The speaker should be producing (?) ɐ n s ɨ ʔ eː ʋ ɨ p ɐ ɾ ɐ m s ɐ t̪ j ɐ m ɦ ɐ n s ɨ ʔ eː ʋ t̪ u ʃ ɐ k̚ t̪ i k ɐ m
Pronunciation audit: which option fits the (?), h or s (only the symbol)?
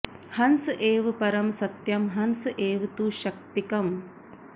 h